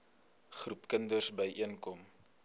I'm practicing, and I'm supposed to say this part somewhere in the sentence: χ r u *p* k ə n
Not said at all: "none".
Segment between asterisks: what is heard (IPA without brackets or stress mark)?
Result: p